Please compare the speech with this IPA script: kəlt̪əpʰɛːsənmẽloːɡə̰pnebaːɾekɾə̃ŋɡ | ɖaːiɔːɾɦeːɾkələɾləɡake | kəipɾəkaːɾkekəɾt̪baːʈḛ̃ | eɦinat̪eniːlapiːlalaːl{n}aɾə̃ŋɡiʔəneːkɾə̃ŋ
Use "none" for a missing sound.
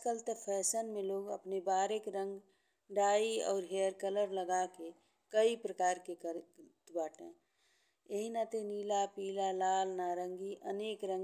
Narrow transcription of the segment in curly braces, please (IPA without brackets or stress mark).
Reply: n